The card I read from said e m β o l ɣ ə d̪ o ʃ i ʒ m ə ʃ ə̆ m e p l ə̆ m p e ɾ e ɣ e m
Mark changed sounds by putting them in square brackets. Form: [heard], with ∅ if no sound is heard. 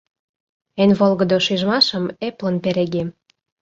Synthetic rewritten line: e [n] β o l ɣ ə d̪ o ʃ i ʒ m [ɑ] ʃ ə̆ m e p l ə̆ [n] p e ɾ e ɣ e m